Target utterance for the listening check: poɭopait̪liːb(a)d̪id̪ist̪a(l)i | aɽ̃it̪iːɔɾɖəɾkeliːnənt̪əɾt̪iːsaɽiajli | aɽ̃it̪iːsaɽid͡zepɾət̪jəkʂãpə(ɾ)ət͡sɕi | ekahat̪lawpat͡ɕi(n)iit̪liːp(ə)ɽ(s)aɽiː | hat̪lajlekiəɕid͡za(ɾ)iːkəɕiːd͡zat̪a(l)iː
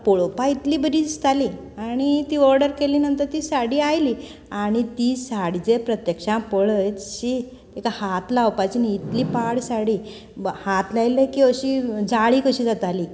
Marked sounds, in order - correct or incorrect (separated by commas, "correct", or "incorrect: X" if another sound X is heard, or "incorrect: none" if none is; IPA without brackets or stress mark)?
incorrect: ə, correct, incorrect: ɭ, correct, incorrect: a, correct, incorrect: ɭ, correct